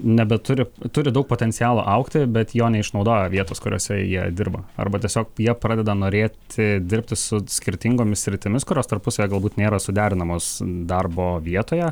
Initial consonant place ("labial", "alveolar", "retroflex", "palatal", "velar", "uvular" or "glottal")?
alveolar